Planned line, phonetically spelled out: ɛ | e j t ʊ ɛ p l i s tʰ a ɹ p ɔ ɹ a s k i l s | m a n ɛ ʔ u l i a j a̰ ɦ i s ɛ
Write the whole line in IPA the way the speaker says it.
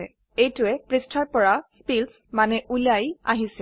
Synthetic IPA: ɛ | e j t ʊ ɛ p ɹ i s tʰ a ɹ p ɔ ɹ a s p i l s | m a n ɛ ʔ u l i a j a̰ ɦ i s ɛ